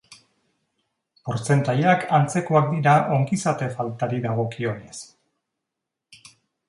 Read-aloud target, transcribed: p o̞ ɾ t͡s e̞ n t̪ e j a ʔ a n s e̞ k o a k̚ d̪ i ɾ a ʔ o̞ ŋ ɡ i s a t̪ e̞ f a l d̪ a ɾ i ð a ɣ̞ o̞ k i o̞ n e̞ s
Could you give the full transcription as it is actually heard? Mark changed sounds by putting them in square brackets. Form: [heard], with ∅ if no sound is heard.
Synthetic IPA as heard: p o̞ ɾ t͡s e̞ n t̪ [a] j a [k] a n [t͡s] e̞ k o a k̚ d̪ i ɾ a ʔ o̞ ŋ ɡ i s a t̪ e̞ f a l [t̪] a ɾ i ð a ɣ̞ o̞ k i o̞ n e̞ s